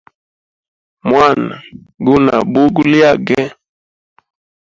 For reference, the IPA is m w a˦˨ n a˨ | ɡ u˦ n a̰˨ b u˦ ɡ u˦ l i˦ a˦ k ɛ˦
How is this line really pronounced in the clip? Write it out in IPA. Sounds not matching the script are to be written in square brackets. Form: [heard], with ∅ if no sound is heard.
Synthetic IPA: m w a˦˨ n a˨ | ɡ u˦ n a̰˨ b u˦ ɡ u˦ l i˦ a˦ [ɡ] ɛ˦